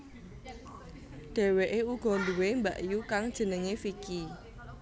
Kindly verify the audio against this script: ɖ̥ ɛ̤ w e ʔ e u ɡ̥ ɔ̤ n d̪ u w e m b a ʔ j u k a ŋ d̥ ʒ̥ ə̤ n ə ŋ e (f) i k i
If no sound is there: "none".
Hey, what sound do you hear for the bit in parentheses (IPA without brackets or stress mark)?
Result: f